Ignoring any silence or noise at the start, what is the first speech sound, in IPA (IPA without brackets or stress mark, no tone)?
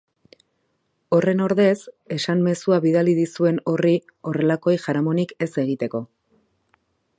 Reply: o̞